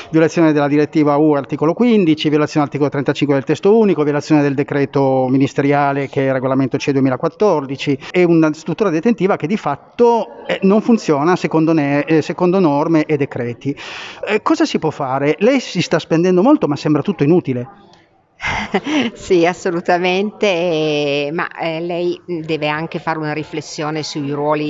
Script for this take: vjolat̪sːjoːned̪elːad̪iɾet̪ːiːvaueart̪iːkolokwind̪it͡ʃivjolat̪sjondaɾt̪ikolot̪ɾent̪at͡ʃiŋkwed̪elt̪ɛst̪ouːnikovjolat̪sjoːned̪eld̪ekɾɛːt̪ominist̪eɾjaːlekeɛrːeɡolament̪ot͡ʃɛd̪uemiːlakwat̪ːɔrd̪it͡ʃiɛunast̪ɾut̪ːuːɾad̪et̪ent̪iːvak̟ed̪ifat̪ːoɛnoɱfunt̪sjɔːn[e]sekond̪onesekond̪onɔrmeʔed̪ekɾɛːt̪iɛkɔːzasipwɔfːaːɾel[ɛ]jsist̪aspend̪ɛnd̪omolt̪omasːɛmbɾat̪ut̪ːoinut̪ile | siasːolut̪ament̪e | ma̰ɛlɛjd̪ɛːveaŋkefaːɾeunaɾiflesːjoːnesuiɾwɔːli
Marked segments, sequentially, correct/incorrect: incorrect, correct

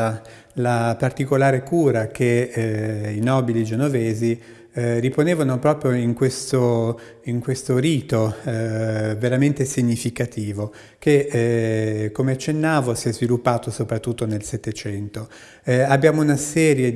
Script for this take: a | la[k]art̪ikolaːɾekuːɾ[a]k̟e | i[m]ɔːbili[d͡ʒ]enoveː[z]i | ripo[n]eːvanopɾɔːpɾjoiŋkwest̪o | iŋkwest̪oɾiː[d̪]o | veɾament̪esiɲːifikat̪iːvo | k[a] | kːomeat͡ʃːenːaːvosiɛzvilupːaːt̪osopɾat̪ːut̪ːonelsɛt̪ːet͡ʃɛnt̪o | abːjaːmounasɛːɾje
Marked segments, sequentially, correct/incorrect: incorrect, correct, incorrect, correct, correct, correct, incorrect, incorrect

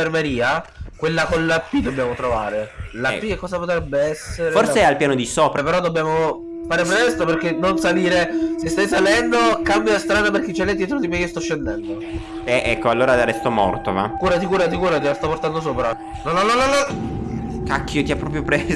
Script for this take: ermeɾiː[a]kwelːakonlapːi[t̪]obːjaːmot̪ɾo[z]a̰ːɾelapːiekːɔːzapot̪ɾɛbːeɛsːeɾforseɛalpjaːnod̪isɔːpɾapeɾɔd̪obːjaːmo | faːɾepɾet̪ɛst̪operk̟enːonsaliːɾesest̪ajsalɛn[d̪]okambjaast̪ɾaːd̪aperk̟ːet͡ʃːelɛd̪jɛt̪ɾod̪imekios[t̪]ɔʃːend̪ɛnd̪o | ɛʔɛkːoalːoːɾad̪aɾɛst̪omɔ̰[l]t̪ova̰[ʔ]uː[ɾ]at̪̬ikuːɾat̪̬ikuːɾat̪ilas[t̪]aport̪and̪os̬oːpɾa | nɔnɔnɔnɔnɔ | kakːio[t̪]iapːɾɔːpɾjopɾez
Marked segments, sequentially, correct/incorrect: correct, incorrect, incorrect, correct, correct, incorrect, incorrect, correct, correct, correct

